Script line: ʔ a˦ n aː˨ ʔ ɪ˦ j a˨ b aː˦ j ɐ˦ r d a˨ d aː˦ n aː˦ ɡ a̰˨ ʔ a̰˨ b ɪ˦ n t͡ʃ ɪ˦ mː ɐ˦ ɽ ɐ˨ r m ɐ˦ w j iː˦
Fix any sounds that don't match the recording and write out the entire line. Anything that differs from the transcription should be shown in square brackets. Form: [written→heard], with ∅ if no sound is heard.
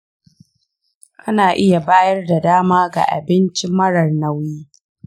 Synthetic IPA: ʔ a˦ n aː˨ ʔ ɪ˦ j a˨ b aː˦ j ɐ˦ r d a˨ d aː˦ [n→m] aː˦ ɡ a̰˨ ʔ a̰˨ b ɪ˦ n t͡ʃ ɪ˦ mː ɐ˦ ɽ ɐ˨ r [m→n] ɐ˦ w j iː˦